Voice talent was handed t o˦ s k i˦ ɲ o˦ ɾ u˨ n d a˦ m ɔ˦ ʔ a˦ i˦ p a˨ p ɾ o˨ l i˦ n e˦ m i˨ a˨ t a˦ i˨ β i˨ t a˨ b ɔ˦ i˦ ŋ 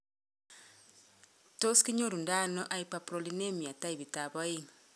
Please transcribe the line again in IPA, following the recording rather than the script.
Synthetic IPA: t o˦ s k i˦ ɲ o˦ ɾ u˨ n d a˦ n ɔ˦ ʔ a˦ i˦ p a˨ p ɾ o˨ l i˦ n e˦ m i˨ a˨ t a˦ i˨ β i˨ t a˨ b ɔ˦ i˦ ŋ